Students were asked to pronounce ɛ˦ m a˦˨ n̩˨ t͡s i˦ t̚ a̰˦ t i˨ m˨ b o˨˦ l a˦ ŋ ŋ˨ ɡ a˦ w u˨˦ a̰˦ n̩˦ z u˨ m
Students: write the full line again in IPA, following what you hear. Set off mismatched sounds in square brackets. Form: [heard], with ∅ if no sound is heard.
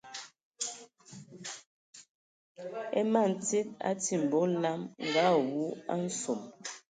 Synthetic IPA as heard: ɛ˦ m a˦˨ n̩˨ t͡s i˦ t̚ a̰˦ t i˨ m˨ b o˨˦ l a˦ [m] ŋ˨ ɡ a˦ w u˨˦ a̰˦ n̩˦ [s] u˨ m